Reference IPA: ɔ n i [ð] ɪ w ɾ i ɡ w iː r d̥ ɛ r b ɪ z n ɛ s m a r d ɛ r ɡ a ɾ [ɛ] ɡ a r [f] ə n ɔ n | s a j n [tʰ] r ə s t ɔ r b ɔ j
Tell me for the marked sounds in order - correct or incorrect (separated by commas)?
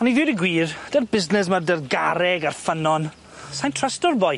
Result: correct, correct, correct, correct